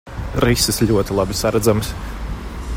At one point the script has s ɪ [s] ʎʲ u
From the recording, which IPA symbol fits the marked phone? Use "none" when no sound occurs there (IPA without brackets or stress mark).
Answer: s